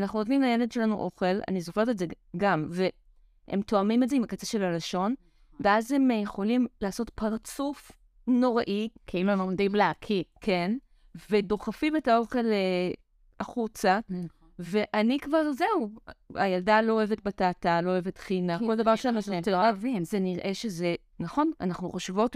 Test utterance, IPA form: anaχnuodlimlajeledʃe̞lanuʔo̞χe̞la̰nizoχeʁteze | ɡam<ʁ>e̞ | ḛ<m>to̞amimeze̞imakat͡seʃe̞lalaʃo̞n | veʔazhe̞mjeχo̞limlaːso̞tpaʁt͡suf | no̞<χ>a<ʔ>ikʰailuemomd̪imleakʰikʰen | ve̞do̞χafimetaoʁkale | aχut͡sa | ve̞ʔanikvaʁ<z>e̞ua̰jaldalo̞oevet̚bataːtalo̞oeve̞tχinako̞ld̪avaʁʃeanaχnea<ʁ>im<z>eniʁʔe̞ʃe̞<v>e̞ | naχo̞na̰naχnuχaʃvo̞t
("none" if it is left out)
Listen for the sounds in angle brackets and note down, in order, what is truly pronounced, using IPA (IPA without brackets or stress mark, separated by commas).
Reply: v, m, ʁ, ʔ, z, v, z, z